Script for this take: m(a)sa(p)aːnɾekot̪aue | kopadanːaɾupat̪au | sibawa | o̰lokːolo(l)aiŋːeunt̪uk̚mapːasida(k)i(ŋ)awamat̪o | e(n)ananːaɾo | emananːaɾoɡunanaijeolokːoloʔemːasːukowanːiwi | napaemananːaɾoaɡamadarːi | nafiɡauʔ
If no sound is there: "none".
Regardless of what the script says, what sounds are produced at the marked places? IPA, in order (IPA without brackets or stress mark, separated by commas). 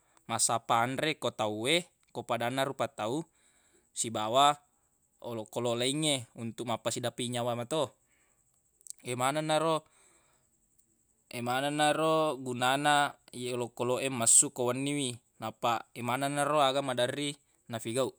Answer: a, p, l, p, ɲ, m